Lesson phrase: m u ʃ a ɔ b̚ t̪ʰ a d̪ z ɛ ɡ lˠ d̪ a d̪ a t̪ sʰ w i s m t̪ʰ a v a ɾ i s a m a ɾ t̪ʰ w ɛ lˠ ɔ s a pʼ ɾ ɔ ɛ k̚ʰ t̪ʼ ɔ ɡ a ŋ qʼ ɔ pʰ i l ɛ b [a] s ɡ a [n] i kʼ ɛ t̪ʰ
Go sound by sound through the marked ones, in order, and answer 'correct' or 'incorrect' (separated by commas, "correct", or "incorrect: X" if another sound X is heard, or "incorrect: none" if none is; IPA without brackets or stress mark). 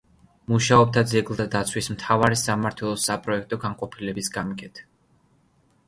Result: incorrect: i, incorrect: m